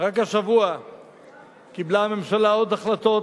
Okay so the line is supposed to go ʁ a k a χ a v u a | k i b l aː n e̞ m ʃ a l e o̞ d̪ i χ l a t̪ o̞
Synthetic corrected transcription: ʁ a k a ʃ a v u a | k i b l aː m e̞ m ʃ a l a o̞ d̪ a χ l a t̪ o̞